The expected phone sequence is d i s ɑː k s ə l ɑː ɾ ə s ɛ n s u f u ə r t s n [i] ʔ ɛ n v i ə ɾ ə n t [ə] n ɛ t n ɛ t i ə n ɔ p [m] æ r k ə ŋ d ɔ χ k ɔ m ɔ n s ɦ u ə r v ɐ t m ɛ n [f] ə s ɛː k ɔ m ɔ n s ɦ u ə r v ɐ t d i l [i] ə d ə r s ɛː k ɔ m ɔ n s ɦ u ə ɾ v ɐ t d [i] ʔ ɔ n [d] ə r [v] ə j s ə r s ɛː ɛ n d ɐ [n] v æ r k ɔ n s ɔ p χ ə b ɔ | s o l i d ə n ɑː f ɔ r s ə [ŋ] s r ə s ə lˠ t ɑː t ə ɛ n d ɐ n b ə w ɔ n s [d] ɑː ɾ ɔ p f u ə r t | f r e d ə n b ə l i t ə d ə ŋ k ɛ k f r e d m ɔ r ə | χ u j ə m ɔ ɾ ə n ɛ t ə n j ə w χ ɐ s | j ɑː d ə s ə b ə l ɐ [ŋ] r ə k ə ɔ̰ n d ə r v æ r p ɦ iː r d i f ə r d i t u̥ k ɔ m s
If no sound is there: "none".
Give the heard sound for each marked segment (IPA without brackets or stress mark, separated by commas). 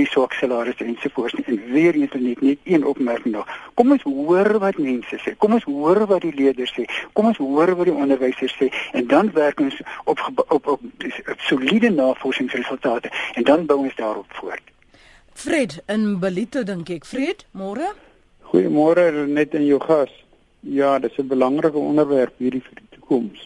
i, ə, m, s, i, i, d, v, n, ŋ, d, ŋ